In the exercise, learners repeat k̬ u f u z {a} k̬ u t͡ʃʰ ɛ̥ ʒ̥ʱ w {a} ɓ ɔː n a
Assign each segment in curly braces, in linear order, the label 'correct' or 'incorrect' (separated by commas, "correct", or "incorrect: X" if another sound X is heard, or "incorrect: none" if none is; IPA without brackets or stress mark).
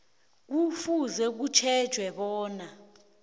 incorrect: ɛ, incorrect: ɛ